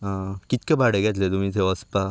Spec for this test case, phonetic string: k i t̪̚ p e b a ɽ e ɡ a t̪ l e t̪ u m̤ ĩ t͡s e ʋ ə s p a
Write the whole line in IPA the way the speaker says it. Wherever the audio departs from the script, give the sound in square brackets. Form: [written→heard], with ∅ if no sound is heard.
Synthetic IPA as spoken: k i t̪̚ [p→k] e b a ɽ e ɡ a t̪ l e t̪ u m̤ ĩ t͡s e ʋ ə s p a